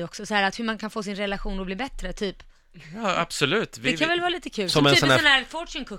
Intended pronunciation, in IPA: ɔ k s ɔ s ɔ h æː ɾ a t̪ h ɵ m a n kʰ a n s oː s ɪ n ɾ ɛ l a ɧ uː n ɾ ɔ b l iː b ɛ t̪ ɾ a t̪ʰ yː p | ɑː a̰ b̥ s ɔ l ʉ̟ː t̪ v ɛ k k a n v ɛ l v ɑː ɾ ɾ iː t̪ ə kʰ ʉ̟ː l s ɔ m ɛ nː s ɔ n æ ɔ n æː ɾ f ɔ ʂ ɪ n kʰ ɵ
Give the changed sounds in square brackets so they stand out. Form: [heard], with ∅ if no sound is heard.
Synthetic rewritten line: ɔ k s ɔ s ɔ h æː ɾ a t̪ h ɵ m a n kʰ a n [f] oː s ɪ n ɾ ɛ l a ɧ uː n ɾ ɔ b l iː b ɛ t̪ ɾ [ə] t̪ʰ yː p | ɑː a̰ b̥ s ɔ l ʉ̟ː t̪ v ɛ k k a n v ɛ l v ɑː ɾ [l] iː t̪ ə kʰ ʉ̟ː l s ɔ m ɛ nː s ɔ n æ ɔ n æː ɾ f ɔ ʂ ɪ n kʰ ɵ